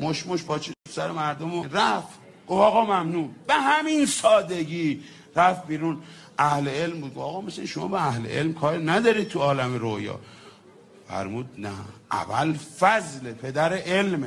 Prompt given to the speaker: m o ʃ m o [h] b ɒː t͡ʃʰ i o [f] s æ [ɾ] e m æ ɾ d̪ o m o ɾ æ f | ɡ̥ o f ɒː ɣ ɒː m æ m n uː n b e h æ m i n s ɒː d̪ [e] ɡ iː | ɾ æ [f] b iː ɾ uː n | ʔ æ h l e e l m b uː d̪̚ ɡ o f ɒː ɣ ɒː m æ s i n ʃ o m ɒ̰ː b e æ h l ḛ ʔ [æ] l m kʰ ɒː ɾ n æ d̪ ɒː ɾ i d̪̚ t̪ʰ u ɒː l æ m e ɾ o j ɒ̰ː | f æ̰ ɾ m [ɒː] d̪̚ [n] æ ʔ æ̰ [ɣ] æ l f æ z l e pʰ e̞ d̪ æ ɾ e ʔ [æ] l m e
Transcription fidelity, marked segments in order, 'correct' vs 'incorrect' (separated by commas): incorrect, correct, correct, correct, correct, incorrect, incorrect, correct, incorrect, incorrect